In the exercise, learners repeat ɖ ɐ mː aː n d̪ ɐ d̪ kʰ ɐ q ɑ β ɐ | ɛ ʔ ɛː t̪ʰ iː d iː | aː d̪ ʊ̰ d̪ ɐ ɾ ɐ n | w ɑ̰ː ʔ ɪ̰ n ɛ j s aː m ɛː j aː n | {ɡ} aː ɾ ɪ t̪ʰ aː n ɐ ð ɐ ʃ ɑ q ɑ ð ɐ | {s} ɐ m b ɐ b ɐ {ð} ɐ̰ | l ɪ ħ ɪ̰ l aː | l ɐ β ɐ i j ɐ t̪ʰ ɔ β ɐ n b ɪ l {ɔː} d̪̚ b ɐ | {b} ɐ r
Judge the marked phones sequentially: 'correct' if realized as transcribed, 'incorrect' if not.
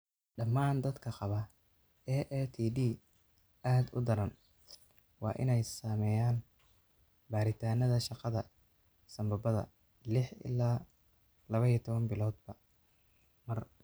incorrect: b, correct, correct, correct, incorrect: m

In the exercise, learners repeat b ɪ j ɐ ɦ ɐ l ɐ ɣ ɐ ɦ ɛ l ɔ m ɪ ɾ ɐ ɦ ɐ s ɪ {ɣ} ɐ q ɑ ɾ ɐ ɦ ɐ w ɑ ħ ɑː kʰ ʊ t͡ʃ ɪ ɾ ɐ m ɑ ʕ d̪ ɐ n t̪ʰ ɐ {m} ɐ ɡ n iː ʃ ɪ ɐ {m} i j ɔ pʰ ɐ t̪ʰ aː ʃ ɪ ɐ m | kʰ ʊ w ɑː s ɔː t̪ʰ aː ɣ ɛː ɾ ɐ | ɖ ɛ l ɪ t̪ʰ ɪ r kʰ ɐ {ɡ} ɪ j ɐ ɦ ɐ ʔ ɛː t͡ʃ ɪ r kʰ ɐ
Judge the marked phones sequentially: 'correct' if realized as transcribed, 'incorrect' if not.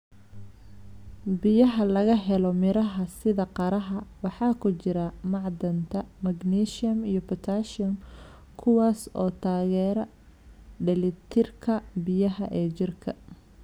incorrect: ð, correct, correct, incorrect: b

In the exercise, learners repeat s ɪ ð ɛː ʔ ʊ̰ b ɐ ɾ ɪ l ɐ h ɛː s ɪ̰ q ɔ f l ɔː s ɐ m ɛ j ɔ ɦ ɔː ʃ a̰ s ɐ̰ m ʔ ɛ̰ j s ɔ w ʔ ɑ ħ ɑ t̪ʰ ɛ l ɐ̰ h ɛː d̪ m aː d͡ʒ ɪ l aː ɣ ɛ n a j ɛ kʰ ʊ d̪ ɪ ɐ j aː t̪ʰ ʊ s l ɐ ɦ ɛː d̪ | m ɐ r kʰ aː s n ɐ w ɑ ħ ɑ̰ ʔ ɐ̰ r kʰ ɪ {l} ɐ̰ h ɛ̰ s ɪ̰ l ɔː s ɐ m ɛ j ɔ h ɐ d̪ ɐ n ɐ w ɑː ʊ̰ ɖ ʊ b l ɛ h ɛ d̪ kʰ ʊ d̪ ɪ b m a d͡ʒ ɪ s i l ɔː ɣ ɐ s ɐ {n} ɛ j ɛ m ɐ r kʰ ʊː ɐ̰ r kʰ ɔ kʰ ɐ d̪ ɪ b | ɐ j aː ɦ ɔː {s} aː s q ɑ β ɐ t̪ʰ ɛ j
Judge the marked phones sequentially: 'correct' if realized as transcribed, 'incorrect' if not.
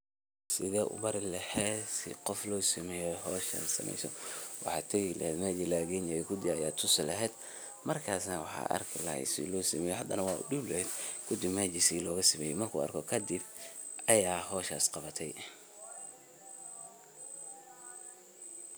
correct, incorrect: m, incorrect: ʃ

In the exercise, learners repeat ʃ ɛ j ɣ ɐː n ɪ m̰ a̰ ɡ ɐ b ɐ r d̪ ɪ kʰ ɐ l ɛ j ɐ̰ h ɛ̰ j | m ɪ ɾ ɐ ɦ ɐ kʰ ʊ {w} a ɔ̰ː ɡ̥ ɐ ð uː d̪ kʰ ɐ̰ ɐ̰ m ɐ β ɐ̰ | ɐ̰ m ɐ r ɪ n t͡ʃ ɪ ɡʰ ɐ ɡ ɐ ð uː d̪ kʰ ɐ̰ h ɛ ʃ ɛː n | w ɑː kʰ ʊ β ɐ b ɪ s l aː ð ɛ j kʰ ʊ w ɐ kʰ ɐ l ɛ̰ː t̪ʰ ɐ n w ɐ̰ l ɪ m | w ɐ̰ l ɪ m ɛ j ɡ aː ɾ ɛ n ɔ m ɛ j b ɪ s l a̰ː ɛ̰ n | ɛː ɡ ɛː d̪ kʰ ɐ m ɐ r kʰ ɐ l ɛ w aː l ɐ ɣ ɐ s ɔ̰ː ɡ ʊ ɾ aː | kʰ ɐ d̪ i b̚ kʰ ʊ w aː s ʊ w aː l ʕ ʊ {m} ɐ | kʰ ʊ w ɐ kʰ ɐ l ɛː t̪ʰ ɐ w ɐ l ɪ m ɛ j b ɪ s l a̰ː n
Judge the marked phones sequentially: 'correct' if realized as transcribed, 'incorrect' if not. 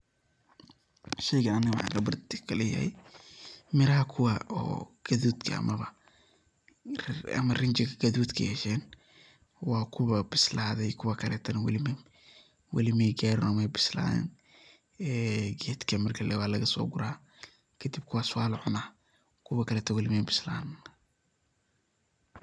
correct, incorrect: n

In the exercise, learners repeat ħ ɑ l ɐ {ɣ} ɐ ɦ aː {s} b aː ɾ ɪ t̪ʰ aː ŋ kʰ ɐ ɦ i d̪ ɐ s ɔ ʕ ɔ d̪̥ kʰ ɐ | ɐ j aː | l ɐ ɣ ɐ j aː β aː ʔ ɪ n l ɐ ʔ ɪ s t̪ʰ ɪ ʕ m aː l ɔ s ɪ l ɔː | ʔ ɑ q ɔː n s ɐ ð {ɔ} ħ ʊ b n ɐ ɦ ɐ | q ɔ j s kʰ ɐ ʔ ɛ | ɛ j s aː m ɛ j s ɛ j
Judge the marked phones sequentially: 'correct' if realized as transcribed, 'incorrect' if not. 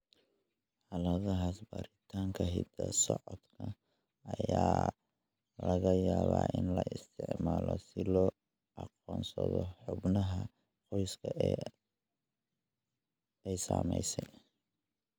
incorrect: ð, correct, correct

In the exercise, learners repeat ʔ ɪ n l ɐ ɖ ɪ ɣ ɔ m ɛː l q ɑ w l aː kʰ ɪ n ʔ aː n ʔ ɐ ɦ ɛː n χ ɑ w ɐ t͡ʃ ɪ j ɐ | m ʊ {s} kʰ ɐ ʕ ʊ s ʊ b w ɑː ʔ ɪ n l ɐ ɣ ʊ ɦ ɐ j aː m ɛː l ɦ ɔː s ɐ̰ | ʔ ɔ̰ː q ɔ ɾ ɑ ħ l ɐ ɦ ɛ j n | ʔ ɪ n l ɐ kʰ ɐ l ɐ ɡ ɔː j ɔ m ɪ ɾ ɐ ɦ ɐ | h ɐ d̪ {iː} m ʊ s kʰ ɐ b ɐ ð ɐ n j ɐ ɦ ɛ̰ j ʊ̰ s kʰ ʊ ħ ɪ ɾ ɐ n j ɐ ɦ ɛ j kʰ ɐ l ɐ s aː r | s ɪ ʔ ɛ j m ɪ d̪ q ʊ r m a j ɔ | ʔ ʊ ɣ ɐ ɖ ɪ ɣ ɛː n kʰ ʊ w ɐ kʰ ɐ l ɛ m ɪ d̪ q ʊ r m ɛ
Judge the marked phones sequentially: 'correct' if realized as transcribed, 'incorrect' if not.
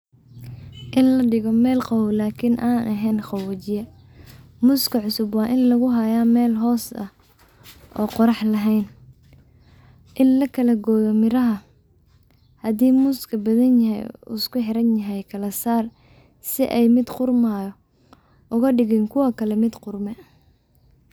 correct, correct

